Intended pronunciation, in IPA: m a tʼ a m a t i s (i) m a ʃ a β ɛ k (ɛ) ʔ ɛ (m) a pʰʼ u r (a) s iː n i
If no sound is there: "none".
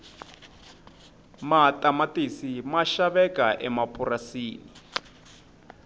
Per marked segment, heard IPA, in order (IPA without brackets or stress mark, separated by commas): i, a, m, a